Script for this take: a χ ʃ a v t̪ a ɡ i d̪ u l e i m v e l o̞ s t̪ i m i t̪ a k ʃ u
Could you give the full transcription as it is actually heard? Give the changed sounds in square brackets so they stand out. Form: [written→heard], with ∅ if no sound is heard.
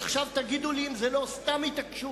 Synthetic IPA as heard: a χ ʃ a v t̪ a ɡ i d̪ u l [e→i] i m [v→z] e l o̞ s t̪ [i→a] m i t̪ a k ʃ u